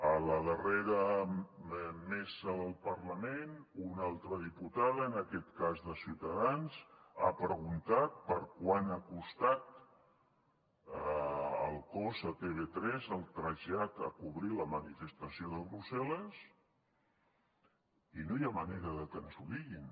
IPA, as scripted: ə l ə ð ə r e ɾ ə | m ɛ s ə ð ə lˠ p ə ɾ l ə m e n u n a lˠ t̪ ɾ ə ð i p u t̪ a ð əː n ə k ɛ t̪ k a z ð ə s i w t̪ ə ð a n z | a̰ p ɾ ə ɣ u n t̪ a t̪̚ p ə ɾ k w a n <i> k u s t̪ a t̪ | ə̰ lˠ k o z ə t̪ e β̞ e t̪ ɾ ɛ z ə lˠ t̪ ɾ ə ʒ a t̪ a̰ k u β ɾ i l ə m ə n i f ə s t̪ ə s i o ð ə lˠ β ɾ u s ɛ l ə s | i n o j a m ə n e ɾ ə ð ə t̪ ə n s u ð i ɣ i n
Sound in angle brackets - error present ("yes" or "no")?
yes